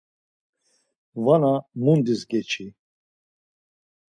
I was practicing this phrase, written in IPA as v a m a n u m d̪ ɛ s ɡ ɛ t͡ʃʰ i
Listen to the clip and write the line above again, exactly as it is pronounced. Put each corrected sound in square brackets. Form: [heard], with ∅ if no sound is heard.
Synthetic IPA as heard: v a [n] a [m] u [n] d̪ [i] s ɡ ɛ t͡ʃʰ i

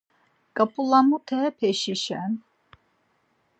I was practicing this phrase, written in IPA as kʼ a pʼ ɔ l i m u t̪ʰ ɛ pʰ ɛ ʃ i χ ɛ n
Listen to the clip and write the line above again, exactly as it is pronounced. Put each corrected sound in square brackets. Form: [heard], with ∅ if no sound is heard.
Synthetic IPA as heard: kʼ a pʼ [u] l [a] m u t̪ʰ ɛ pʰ ɛ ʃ i [ʃ] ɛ n

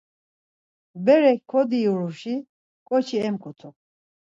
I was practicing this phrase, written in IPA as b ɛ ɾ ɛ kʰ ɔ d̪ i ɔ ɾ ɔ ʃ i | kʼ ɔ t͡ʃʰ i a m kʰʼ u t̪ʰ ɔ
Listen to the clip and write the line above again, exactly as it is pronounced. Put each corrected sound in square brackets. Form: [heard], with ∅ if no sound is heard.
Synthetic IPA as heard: b ɛ ɾ ɛ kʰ ɔ d̪ i [u] ɾ [u] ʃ i | kʼ ɔ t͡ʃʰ i [ɛ] m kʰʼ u t̪ʰ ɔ

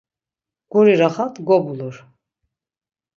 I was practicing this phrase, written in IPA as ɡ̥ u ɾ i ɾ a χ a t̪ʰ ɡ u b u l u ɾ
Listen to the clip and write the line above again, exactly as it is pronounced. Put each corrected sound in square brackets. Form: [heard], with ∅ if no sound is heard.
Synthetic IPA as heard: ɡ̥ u ɾ i ɾ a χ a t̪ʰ ɡ [ɔ] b u l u ɾ

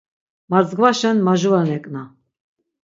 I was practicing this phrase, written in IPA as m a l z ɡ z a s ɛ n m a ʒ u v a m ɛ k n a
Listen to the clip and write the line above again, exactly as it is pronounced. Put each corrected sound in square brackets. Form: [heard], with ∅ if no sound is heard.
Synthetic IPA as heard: m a [ɾ] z ɡ [v] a [ʃ] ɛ n m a ʒ u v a [n] ɛ [kʼ] n a

